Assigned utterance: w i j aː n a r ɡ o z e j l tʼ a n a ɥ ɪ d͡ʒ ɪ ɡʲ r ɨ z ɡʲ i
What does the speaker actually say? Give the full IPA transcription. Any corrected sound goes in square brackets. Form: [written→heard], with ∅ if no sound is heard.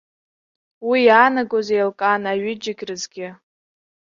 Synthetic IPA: w i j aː n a [r→∅] ɡ o z e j l [tʼ→kʼ] a n a ɥ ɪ d͡ʒ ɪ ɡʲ r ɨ z ɡʲ [i→ɪ]